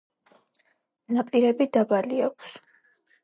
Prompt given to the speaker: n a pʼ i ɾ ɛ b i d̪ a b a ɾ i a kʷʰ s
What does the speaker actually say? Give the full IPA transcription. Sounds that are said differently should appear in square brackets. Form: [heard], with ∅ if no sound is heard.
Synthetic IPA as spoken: n a pʼ i ɾ ɛ b i d̪ a b a [l] i a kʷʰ s